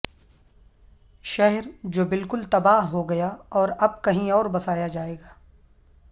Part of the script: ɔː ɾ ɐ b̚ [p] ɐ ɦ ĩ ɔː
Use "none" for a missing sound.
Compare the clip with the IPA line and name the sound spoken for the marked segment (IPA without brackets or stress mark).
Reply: k